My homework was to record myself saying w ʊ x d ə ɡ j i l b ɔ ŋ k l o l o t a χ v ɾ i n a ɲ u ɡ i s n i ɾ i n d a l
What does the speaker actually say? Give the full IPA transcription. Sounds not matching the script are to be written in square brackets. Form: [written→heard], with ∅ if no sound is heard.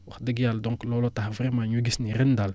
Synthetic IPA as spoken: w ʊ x d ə ɡ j [i→a] l [b→d] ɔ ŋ k l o l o t a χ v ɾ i [n→m] a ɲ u ɡ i s n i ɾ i n d a l